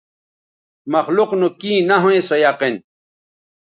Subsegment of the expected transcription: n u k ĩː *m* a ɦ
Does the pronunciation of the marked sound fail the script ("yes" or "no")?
yes